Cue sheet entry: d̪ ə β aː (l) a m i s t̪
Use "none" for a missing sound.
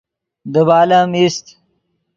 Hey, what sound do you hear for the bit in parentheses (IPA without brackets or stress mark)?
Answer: l